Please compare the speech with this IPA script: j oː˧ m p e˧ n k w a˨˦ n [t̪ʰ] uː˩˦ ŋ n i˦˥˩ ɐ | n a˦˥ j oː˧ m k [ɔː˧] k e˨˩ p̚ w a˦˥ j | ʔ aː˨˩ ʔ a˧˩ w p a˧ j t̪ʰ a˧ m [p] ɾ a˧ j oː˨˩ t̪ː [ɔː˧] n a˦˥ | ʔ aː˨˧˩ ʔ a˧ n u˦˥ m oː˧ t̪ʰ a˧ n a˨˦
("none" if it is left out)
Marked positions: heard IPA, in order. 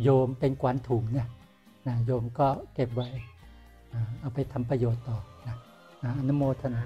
t̪ʰ, ɔː˥˩, p, ɔː˨˩

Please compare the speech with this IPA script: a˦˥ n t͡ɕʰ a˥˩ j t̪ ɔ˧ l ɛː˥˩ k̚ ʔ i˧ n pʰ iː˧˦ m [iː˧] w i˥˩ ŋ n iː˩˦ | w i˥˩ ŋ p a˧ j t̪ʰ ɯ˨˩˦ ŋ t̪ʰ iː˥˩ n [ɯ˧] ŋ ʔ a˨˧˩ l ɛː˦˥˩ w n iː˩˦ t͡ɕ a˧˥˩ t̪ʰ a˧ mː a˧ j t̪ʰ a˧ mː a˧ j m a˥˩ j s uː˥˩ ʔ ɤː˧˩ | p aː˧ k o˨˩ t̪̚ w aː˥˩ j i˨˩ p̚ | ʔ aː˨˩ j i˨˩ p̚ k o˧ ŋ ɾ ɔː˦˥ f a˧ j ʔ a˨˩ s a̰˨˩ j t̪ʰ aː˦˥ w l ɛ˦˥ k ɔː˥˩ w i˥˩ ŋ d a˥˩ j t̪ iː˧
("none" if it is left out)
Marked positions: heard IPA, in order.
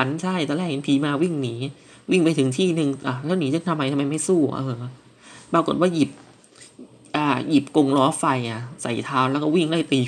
aː˧, ɯ˧

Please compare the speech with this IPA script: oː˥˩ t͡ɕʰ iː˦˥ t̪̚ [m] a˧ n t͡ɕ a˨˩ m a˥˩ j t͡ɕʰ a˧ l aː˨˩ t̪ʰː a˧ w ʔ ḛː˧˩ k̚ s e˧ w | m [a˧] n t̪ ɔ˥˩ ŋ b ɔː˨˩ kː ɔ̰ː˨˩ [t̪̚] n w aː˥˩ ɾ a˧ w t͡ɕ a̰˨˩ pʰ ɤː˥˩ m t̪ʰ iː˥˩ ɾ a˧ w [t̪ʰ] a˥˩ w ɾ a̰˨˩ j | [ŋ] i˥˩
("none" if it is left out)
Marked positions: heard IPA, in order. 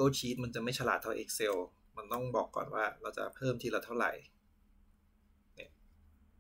m, a˧, none, t̪ʰ, n

